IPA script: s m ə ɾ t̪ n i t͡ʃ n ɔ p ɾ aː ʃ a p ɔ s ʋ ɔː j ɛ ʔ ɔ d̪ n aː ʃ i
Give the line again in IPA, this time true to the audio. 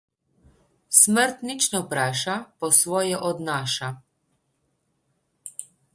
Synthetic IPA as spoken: s m ə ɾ t̪ n i t͡ʃ n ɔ p ɾ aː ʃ a p ɔ s ʋ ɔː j ɛ ʔ ɔ d̪ n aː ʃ a